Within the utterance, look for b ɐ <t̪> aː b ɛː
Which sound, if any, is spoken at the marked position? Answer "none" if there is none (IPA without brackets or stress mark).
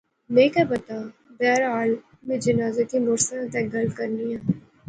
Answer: t̪